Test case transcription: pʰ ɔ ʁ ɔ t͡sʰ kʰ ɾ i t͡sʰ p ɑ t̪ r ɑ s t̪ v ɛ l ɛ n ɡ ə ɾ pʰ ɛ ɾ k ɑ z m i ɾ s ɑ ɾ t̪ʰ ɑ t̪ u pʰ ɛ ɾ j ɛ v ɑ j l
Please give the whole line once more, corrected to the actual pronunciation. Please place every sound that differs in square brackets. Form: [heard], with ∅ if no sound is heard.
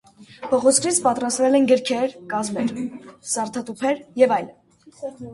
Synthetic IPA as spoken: pʰ ɔ ʁ ɔ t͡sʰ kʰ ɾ i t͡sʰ p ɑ t̪ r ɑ s t̪ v ɛ l ɛ n ɡ ə ɾ [kʰ] ɛ ɾ k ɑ z m [ɛ] ɾ s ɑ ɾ t̪ʰ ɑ t̪ u pʰ ɛ ɾ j ɛ v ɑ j l

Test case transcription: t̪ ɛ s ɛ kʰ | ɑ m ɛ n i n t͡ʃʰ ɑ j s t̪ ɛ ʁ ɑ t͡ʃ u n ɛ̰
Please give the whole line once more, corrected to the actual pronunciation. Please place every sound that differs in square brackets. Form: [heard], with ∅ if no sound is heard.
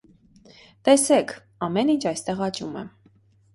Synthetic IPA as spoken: t̪ ɛ s ɛ kʰ | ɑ m ɛ n i n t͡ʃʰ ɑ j s t̪ ɛ ʁ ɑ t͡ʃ u [m] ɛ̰

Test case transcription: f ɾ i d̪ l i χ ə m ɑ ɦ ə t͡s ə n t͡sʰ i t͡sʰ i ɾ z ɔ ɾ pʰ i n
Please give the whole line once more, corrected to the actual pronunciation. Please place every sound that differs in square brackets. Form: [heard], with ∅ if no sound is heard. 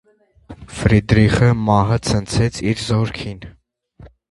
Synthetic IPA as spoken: f ɾ i d̪ [ɾ] i χ ə m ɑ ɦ ə [t͡sʰ] ə n t͡sʰ [ɛ] t͡sʰ i ɾ z ɔ ɾ [kʰ] i n

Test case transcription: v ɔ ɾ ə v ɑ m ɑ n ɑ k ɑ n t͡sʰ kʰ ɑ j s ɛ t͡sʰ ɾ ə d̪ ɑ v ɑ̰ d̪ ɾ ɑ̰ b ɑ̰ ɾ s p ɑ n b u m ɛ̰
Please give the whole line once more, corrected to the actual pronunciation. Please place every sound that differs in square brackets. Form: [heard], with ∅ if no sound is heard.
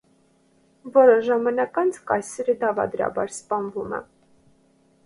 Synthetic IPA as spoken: v ɔ ɾ ə [ʒ] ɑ m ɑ n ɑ k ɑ n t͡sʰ [k] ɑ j s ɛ [∅] ɾ ə d̪ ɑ v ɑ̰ d̪ ɾ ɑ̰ b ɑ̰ ɾ s p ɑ n [v] u m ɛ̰

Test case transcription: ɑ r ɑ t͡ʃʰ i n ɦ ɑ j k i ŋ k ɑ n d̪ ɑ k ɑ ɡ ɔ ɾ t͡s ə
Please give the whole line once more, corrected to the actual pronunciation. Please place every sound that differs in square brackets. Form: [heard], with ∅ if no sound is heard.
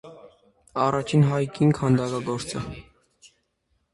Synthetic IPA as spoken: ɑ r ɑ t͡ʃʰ i n ɦ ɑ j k i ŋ [kʰ] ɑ n d̪ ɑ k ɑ ɡ ɔ ɾ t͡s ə

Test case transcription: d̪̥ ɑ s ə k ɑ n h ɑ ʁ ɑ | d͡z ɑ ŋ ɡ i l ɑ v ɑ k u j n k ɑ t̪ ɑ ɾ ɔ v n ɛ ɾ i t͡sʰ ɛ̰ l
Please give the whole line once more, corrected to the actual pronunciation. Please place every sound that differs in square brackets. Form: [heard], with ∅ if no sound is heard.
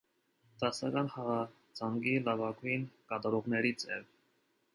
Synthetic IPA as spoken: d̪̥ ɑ s [ɑ] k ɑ n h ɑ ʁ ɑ | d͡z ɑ ŋ ɡ i l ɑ v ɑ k u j n k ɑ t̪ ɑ ɾ ɔ [ʁ] n ɛ ɾ i t͡sʰ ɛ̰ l

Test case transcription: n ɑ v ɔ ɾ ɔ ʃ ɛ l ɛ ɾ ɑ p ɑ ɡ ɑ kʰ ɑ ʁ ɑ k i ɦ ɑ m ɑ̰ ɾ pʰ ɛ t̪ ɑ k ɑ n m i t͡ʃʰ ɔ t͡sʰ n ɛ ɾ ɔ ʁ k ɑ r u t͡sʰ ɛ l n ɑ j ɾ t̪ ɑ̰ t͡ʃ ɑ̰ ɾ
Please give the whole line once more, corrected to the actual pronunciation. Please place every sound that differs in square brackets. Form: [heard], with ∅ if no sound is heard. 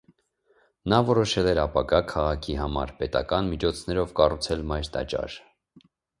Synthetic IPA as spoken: n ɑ v ɔ ɾ ɔ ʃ ɛ l ɛ ɾ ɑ p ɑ ɡ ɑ kʰ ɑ ʁ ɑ [kʰ] i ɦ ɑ m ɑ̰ ɾ [p] ɛ t̪ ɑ k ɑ n m i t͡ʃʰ ɔ t͡sʰ n ɛ ɾ ɔ [v] k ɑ r u t͡sʰ ɛ l [m] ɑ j ɾ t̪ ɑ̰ t͡ʃ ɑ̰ ɾ

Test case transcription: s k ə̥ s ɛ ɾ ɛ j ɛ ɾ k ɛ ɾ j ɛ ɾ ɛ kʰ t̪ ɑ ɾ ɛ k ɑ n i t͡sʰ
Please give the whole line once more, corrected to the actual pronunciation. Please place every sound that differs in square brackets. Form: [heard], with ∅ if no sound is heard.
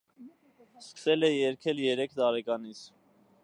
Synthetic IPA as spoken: s k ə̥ s ɛ [l] ɛ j ɛ ɾ [kʰ] ɛ [l] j ɛ ɾ ɛ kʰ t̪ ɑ ɾ ɛ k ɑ n i t͡sʰ

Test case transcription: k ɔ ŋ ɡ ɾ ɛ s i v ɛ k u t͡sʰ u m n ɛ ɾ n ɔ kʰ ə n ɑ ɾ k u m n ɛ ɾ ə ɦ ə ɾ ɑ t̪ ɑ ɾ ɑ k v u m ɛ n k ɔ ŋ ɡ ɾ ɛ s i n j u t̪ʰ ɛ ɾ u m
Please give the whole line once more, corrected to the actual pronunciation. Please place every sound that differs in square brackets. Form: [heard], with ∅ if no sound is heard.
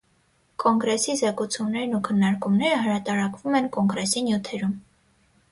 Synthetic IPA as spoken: k ɔ ŋ ɡ ɾ ɛ s i [z] ɛ k u t͡sʰ u m n ɛ ɾ n [u] kʰ ə [nː] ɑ ɾ k u m n ɛ ɾ ə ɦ ə ɾ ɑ t̪ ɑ ɾ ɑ k v u m ɛ n k ɔ ŋ ɡ ɾ ɛ s i n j u t̪ʰ ɛ ɾ u m

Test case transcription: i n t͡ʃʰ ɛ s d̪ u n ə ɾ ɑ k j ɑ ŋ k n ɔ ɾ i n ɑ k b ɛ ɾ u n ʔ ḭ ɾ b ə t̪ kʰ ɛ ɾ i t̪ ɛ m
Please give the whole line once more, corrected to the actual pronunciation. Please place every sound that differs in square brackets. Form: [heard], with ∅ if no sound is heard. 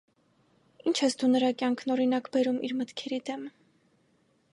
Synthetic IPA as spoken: i n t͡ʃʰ ɛ s d̪ u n ə ɾ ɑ k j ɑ ŋ [kʰ] n ɔ ɾ i n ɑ k b ɛ ɾ u [m] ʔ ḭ ɾ [m] ə t̪ kʰ ɛ ɾ i [d̪] ɛ m

